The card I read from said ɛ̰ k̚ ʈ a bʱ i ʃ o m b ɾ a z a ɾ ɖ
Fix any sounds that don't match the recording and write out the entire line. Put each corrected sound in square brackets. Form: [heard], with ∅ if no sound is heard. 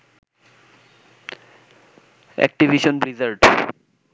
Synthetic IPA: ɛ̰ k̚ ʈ [i] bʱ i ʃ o [n] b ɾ [i] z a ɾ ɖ